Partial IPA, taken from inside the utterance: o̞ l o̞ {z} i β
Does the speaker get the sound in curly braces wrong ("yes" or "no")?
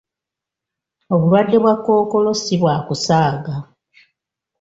yes